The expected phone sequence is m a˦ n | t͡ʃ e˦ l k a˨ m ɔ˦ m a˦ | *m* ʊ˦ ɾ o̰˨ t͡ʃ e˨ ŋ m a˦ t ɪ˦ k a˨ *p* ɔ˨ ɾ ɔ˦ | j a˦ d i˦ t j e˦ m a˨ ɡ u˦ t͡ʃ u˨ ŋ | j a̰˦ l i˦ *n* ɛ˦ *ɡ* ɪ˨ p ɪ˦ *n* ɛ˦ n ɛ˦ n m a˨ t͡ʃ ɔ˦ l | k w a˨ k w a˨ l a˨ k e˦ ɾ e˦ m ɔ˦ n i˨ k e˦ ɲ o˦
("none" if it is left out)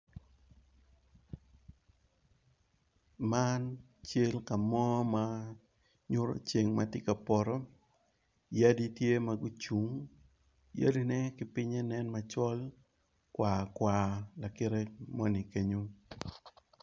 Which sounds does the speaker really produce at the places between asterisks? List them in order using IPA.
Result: ɲ, p, n, k, ɲ

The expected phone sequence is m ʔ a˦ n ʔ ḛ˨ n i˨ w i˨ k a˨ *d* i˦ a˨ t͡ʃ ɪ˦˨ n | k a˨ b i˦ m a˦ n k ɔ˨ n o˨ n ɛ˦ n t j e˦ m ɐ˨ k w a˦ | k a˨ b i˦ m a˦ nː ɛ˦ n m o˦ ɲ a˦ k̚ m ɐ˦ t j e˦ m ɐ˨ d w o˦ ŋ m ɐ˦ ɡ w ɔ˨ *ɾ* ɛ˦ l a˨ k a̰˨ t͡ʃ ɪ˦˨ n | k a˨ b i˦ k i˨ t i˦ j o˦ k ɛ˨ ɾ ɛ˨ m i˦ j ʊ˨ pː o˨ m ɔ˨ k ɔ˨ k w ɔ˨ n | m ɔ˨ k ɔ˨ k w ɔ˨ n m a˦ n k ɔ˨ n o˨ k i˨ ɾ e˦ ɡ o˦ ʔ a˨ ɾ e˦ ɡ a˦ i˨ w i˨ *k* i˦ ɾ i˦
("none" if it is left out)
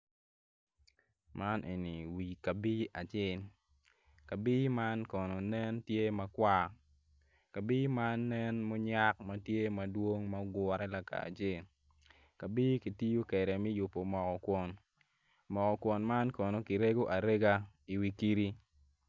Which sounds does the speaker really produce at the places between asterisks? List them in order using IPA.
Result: b, ɾ, k

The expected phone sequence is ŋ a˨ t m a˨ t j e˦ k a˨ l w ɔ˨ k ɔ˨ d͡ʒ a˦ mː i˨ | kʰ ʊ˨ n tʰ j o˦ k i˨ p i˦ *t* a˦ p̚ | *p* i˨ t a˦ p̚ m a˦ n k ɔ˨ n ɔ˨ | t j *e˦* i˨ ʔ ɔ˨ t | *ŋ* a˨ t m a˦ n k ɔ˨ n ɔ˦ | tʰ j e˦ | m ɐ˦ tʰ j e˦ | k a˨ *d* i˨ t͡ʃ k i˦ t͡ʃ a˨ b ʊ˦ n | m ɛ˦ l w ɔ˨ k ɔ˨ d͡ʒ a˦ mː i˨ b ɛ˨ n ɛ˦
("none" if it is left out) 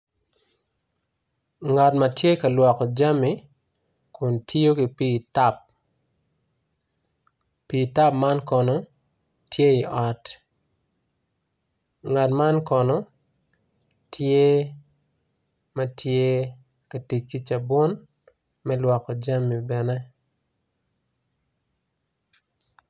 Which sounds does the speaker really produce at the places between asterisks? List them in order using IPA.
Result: t, p, e˦, ŋ, t

